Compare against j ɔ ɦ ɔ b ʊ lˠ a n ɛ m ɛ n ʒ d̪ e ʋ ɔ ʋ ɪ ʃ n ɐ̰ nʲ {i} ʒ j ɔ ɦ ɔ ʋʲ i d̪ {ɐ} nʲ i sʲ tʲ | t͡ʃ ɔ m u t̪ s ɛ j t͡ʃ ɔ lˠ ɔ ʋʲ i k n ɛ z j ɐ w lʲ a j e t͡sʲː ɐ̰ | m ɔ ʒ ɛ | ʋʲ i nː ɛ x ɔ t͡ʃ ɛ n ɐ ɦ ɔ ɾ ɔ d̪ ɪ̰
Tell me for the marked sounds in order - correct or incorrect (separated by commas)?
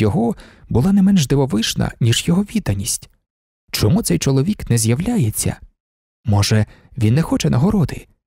correct, correct